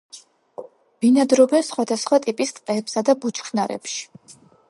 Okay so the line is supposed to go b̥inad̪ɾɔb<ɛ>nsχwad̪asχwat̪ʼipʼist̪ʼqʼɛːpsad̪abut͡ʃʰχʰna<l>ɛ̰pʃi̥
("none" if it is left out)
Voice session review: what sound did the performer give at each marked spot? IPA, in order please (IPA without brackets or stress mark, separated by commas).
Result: ɛ, ɾ